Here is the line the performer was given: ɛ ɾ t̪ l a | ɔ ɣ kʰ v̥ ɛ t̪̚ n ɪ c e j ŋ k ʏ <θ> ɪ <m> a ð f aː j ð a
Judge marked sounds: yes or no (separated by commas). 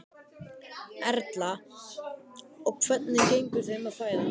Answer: yes, yes